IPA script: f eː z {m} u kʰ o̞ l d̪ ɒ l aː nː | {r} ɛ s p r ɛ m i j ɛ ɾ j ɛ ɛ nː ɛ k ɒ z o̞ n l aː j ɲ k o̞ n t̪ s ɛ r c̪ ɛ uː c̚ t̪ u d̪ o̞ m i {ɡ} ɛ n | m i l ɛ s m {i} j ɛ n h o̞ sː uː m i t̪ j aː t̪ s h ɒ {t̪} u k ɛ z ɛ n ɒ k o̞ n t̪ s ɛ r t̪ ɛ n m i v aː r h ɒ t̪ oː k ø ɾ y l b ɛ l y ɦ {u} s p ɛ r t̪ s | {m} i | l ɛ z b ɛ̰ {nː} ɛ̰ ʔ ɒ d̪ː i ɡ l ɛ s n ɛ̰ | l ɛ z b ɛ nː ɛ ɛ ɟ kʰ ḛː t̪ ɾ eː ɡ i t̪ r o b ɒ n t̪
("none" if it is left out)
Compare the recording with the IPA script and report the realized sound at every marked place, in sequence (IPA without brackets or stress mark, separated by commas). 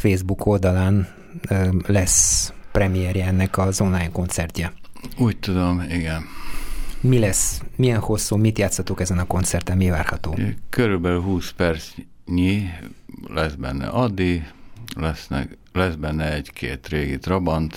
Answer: b, l, ɡ, i, t̪, uː, ɲ, nː